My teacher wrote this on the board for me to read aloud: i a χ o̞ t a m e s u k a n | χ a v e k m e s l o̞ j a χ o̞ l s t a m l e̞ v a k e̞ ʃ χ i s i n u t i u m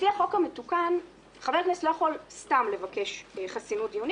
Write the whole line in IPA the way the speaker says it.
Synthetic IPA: i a χ o̞ k a m e t u k a n | χ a v e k n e s l o̞ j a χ o̞ l s t a m l e̞ v a k e̞ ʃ χ a s i n u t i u n